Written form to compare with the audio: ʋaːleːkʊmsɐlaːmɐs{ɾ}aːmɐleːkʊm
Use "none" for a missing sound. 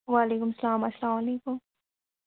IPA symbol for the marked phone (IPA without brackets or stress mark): l